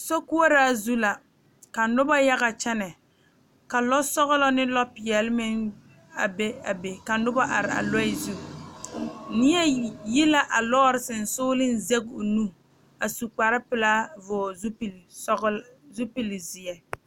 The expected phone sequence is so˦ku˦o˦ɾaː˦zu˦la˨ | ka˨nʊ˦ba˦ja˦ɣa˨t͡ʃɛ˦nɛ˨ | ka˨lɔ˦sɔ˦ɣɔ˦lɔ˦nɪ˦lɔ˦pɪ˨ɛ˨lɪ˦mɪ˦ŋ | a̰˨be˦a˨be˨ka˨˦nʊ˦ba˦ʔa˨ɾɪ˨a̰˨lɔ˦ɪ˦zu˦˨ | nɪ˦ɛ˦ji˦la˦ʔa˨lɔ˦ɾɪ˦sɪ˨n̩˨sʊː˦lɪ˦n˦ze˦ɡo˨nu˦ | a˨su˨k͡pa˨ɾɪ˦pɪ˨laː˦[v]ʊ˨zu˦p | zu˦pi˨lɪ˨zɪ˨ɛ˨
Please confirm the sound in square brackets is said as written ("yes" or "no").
yes